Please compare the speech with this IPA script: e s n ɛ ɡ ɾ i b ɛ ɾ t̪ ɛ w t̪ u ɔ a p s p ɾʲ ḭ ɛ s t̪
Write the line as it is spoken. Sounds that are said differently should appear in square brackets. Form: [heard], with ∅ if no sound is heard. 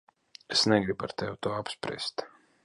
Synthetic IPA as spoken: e s n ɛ ɡ ɾ i b [a] ɾ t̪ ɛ w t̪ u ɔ a p s p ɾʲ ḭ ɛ s t̪